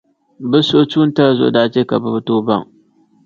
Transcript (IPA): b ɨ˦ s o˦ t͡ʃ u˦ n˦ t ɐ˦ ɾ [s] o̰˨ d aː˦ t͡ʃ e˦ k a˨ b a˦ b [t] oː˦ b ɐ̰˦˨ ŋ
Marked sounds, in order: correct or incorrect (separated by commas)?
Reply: incorrect, correct